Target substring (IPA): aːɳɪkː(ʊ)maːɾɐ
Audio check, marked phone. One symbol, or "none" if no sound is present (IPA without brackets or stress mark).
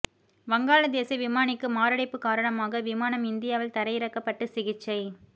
ɯ